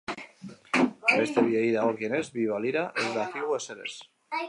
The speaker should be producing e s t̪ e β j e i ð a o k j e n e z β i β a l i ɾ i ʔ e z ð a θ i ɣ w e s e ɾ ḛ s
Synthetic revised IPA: e s t̪ e β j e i ð a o k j e n e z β i β a l i ɾ a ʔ e z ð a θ i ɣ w e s e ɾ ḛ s